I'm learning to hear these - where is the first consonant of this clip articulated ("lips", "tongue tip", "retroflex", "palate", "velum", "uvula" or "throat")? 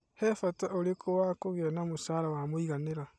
throat